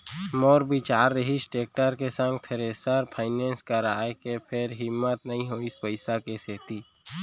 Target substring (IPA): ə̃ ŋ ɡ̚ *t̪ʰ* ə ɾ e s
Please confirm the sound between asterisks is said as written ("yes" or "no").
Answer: yes